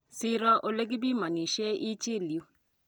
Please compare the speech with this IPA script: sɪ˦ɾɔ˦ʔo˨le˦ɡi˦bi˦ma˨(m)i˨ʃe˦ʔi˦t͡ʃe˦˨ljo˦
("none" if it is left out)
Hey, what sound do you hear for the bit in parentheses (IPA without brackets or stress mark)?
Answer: n